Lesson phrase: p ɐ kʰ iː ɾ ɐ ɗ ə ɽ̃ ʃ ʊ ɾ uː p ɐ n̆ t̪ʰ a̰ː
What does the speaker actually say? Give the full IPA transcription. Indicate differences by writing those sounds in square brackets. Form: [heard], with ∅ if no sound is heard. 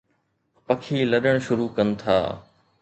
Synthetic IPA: p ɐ kʰ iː [l] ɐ ɗ ə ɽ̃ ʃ ʊ ɾ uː [k] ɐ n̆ t̪ʰ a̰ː